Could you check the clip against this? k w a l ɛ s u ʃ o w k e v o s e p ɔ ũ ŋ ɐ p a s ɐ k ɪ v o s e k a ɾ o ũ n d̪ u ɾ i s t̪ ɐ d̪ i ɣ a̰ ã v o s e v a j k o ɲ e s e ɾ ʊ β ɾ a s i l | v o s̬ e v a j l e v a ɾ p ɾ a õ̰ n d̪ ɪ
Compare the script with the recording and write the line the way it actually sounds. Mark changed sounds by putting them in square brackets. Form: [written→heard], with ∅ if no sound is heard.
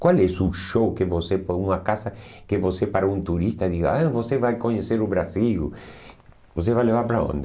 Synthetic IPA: k w a l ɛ s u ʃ o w k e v o s e p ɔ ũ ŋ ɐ [p→k] a s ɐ k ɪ v o s e [k→p] a ɾ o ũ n [d̪→t̪] u ɾ i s t̪ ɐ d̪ i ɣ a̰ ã v o s e v a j k o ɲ e s e ɾ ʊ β ɾ a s i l | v o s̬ e v a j l e v a ɾ p ɾ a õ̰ n d̪ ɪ